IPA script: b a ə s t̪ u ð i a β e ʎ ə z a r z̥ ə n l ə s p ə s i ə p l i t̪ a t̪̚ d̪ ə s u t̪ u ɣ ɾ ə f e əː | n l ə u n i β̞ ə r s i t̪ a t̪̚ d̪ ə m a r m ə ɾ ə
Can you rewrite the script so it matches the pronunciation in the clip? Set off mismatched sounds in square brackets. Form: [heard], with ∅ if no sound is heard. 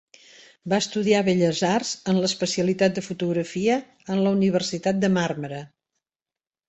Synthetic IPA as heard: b a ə s t̪ u ð i a β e ʎ ə z a r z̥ ə n l ə s p ə s i ə [∅] l i t̪ a t̪̚ d̪ ə [f] u t̪ u ɣ ɾ ə f [i] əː | n l ə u n i β̞ ə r s i t̪ a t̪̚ d̪ ə m a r m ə ɾ ə